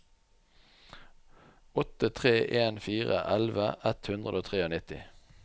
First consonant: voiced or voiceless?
voiceless